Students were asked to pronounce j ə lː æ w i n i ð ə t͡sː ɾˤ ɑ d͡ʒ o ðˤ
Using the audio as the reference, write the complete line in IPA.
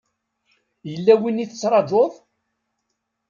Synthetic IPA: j ə lː æ w i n i θ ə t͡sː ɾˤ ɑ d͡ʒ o ðˤ